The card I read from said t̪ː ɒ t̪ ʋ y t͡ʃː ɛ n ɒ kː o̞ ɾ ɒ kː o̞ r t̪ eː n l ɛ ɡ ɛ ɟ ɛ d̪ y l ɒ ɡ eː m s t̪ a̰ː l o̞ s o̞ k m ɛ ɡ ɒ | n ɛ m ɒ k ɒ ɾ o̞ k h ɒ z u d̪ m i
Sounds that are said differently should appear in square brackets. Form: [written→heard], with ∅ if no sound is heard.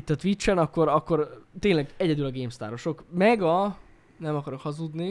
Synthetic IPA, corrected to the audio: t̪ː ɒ t̪ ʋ [y→i] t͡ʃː ɛ n ɒ kː o̞ ɾ ɒ kː o̞ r t̪ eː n l ɛ ɡ ɛ ɟ ɛ d̪ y l ɒ ɡ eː m s t̪ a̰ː [l→ɾ] o̞ [s→ʃ] o̞ k m ɛ ɡ ɒ | n ɛ m ɒ k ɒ ɾ o̞ k h ɒ z u d̪ [m→n] i